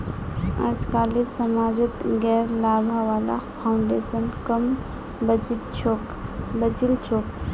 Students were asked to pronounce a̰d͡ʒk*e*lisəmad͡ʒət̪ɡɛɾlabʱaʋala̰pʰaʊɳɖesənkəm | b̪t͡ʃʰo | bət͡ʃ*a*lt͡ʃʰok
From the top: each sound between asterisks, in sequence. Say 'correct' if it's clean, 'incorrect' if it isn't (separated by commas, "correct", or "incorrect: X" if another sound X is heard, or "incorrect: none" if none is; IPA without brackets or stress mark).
incorrect: a, incorrect: i